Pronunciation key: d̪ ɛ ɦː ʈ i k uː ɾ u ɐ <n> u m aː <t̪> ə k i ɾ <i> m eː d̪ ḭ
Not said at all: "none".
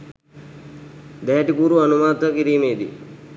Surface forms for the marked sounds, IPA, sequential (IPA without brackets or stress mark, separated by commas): n, t̪, iː